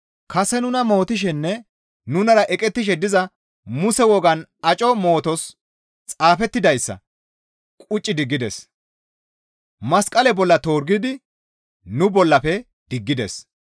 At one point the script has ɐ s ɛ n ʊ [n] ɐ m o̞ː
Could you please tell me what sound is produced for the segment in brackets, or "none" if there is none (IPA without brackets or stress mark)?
n